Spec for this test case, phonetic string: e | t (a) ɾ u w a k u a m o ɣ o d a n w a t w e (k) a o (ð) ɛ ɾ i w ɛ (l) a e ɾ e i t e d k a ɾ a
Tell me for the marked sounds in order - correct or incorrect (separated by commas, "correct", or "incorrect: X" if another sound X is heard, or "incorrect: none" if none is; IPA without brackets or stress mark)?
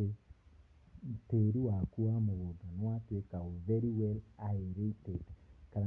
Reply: incorrect: e, correct, incorrect: v, correct